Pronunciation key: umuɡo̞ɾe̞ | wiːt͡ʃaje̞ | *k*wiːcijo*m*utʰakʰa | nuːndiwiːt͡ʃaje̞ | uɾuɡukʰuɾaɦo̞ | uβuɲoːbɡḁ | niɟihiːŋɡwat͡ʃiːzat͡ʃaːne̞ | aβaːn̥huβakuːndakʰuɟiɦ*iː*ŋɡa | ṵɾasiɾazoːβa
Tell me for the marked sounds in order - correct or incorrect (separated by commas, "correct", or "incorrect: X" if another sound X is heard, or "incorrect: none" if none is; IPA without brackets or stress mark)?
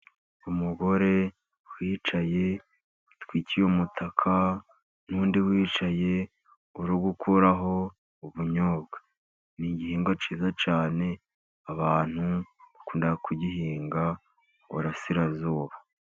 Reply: incorrect: t, correct, correct